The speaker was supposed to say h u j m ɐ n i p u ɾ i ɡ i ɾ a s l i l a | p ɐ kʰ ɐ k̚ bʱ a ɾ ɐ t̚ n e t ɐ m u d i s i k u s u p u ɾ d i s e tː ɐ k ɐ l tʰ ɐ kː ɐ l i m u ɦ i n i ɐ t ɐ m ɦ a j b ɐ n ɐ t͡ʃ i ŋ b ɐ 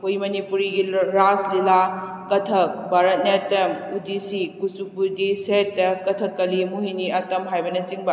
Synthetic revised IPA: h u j m ɐ n i p u ɾ i ɡ i ɾ a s l i l a | k ɐ tʰ ɐ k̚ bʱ a ɾ ɐ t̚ n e t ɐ m u d i s i k u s u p u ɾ d i s e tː ɐ k ɐ tʰ ɐ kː ɐ l i m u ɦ i n i ɐ t ɐ m ɦ a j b ɐ n ɐ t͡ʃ i ŋ b ɐ